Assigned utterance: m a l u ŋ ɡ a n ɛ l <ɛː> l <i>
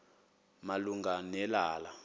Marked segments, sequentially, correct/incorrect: incorrect: aː, incorrect: a

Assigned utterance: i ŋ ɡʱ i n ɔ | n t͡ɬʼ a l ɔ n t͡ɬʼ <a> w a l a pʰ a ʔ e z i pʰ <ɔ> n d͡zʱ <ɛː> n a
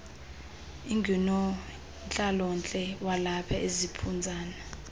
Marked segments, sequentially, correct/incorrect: incorrect: ɛ, incorrect: u, incorrect: aː

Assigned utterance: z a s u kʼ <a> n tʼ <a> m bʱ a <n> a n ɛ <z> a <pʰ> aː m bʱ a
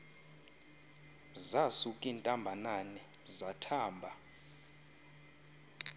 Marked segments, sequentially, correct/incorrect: incorrect: i, correct, correct, correct, incorrect: tʰ

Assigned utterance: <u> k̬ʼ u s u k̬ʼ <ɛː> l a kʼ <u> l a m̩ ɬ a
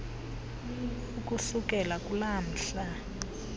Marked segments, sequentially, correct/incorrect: correct, incorrect: ɛ, correct

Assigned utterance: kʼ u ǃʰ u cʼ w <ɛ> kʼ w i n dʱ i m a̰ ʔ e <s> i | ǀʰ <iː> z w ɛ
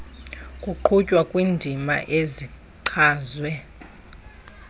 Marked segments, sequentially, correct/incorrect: incorrect: a, incorrect: z, incorrect: aː

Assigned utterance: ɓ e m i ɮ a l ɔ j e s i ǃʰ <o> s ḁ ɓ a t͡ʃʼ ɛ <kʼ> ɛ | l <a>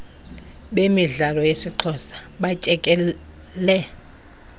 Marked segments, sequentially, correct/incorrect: incorrect: ɔ, correct, incorrect: ɛ

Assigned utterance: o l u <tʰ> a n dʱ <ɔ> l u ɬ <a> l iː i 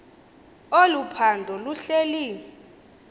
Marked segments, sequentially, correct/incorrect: incorrect: pʰ, correct, incorrect: e

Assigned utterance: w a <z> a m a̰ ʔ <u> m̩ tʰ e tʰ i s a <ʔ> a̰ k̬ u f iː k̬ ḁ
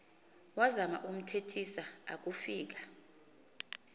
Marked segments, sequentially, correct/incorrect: correct, correct, incorrect: none

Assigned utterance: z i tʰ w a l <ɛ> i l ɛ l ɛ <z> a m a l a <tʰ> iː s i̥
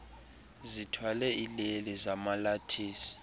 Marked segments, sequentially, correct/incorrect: correct, correct, correct

